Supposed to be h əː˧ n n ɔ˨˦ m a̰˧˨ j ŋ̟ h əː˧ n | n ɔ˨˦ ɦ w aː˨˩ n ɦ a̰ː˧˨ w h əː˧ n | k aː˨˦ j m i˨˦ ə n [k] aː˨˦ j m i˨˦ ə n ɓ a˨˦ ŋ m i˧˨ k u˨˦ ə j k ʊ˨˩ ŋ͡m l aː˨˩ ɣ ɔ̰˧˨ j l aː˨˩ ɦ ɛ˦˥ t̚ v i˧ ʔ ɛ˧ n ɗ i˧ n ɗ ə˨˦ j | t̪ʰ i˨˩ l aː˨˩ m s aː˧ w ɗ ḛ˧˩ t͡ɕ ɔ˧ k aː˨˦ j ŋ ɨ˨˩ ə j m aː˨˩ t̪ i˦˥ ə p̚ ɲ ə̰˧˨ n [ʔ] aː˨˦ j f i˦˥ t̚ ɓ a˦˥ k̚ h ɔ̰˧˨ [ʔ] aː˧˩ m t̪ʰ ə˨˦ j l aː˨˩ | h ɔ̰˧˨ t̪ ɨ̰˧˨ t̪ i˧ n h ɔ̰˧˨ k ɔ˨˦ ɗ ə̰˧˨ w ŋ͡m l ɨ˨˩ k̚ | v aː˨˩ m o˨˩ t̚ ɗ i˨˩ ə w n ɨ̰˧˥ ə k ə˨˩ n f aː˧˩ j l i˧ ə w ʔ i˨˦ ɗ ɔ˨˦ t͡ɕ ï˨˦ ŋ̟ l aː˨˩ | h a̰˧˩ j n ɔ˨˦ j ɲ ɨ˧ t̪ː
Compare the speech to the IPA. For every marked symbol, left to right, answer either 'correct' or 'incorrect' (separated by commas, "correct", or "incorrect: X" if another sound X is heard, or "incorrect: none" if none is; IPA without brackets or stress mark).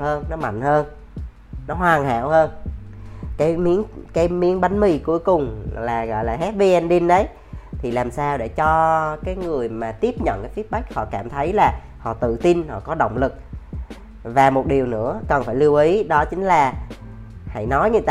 correct, incorrect: k, incorrect: k